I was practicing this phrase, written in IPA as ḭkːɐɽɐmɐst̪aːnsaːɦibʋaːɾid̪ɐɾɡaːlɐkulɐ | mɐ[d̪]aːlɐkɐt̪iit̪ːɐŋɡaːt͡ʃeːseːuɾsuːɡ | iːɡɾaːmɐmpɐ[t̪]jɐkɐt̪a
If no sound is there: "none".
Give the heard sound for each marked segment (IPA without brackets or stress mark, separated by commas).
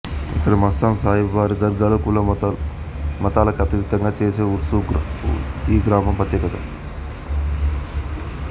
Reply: t̪, t̪